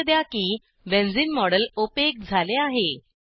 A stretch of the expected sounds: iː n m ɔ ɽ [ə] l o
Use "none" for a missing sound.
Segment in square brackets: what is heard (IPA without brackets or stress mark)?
ə